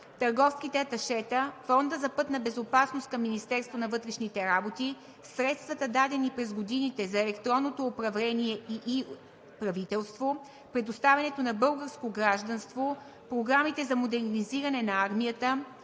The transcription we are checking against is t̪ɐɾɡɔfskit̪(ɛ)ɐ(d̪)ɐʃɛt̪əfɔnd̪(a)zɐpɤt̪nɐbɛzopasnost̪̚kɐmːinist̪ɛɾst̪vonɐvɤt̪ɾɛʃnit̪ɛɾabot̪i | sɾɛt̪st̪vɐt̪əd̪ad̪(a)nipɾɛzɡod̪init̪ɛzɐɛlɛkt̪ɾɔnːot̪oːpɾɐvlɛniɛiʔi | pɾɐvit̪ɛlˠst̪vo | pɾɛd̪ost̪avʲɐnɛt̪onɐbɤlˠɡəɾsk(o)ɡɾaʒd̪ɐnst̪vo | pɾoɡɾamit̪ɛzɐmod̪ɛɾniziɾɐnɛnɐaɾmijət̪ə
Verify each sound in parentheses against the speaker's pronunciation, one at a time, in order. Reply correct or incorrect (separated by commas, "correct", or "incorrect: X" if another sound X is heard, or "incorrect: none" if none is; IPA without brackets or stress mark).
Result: correct, incorrect: t̪, incorrect: ə, incorrect: ɛ, correct